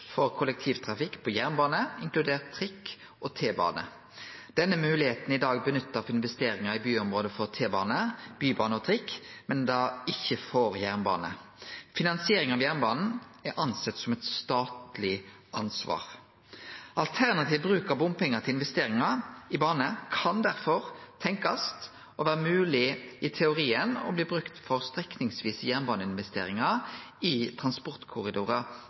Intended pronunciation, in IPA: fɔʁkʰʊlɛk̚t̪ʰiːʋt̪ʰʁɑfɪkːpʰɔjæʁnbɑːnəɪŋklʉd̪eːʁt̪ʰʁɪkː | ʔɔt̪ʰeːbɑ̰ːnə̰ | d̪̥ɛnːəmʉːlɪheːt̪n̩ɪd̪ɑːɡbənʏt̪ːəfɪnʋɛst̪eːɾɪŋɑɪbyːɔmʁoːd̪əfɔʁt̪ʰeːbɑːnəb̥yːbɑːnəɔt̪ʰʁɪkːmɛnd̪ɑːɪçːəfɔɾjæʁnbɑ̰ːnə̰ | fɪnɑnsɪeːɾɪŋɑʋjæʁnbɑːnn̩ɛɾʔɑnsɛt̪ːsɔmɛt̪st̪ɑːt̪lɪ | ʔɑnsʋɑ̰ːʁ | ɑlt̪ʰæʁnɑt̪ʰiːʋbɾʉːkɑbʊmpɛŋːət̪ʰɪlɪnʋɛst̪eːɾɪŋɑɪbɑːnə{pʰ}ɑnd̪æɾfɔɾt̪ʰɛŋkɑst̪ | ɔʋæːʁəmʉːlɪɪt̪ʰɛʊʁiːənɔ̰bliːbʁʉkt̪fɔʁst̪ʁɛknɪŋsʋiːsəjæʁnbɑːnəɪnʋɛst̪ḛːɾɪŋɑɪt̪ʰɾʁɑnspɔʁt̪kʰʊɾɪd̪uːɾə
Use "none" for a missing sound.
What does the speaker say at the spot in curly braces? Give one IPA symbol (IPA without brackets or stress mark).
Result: kʰ